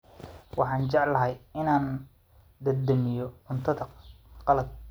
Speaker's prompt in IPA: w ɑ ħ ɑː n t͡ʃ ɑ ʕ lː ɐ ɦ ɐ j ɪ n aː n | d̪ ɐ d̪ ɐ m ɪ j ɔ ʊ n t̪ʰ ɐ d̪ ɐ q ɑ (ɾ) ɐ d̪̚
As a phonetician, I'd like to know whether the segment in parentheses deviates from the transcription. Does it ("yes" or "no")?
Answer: yes